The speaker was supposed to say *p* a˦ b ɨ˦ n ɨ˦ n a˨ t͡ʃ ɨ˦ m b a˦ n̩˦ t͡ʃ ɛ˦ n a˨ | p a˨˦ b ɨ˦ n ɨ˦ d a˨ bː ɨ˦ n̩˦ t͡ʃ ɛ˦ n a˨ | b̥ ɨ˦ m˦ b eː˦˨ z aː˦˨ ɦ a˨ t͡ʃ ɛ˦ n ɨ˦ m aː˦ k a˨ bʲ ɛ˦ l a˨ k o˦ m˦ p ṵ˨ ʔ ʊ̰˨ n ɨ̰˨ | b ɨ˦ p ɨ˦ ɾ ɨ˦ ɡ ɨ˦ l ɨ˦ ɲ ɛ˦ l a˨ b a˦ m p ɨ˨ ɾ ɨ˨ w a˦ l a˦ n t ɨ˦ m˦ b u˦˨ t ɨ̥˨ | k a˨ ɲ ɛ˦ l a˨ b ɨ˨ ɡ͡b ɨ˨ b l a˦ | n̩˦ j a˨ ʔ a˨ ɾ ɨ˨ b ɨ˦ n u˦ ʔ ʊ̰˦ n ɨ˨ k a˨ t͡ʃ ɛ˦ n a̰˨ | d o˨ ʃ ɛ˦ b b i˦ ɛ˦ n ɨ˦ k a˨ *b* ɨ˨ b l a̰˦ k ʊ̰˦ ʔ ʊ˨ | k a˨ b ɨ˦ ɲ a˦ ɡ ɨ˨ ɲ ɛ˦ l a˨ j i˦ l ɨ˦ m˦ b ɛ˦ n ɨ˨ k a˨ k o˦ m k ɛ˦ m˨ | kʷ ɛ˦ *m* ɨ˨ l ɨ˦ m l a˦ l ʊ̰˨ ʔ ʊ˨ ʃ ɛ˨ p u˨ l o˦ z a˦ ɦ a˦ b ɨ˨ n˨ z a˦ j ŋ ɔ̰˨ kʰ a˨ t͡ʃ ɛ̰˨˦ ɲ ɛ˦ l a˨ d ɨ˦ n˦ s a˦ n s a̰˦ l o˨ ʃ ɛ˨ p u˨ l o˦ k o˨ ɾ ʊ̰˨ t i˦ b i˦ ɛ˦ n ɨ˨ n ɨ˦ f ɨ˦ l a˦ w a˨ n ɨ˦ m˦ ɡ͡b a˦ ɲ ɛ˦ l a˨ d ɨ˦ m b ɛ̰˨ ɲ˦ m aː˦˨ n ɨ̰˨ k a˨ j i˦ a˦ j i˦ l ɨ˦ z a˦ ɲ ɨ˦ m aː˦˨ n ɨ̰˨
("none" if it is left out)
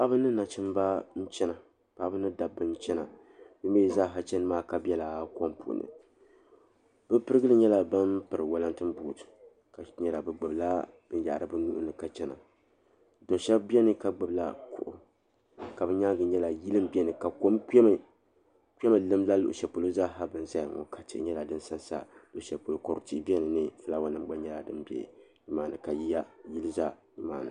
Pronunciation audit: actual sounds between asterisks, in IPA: p, ɡ͡b, m

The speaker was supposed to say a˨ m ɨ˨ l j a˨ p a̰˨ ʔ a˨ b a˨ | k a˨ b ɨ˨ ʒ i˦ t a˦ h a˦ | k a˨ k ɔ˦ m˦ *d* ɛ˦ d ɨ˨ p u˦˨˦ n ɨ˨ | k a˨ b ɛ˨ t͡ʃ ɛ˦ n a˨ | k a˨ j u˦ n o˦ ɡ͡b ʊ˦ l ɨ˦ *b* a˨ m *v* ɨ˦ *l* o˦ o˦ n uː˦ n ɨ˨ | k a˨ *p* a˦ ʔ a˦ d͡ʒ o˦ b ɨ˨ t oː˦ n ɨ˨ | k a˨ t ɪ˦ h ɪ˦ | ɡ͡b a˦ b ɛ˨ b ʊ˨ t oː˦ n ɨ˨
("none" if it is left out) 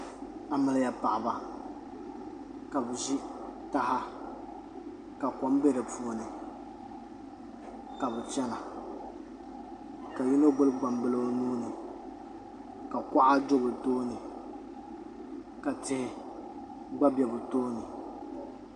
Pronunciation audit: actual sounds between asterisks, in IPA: b, ɡ͡b, b, l, k

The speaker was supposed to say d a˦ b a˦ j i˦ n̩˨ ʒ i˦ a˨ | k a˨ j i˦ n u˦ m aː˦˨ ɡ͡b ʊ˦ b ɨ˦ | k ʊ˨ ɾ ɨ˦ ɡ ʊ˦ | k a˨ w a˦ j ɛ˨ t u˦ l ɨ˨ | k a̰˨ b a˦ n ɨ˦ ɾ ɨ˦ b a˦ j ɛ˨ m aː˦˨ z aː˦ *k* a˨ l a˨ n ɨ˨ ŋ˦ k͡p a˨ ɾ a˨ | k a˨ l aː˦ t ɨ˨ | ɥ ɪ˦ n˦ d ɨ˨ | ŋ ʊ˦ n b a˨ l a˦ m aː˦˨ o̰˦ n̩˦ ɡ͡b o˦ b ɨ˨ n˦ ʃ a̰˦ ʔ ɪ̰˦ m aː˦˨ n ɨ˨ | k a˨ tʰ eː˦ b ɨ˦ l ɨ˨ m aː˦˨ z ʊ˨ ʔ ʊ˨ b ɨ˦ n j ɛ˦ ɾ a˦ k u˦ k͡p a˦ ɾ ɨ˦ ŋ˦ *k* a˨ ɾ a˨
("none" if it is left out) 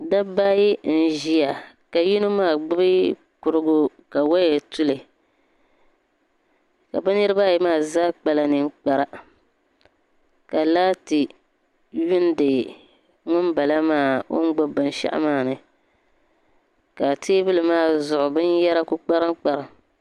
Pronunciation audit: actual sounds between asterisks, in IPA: k͡p, k͡p

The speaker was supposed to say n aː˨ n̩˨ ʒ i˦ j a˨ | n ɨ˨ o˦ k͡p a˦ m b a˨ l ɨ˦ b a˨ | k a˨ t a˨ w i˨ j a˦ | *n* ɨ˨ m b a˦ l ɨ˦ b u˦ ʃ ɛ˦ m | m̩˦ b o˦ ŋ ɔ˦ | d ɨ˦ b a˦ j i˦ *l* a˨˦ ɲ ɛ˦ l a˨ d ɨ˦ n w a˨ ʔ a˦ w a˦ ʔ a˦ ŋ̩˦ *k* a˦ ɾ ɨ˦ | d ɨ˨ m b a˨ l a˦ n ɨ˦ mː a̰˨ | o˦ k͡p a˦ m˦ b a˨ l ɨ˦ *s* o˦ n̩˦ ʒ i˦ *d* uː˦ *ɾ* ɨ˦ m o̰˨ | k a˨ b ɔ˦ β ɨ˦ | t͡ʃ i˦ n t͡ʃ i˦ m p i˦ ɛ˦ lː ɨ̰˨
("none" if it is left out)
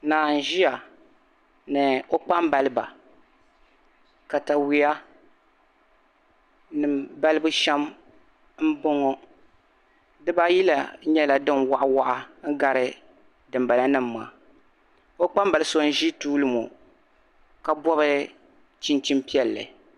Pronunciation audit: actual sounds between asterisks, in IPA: n, l, ɡ, s, t, l

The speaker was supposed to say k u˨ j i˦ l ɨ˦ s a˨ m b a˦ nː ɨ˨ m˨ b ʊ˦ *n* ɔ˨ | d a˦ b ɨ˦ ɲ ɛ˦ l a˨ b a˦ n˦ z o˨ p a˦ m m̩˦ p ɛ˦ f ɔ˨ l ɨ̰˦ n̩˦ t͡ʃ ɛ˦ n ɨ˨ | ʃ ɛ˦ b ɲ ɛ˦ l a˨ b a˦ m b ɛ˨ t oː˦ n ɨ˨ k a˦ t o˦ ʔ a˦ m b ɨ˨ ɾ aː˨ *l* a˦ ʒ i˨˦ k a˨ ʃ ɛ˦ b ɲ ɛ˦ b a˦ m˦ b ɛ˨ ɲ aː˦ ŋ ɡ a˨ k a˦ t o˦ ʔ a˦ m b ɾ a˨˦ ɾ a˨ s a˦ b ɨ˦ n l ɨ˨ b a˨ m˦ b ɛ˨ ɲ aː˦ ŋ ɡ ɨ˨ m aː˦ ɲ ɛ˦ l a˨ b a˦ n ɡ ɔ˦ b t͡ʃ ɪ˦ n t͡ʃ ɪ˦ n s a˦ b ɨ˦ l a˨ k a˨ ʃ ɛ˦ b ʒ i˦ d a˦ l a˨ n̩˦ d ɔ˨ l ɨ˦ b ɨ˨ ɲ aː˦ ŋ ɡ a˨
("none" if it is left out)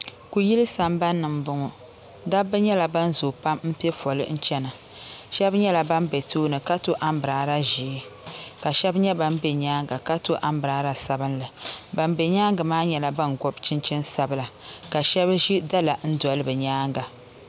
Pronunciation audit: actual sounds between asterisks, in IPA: ŋ, ɾ

